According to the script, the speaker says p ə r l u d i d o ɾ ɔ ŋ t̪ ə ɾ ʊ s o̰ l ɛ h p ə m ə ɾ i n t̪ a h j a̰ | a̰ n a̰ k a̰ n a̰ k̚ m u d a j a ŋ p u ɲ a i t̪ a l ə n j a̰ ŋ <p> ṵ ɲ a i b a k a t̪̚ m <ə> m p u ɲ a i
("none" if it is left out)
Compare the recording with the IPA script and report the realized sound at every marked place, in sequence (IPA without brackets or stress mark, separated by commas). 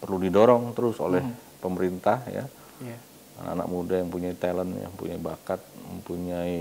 p, ə